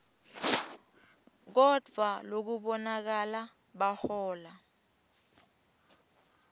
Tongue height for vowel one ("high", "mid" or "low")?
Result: mid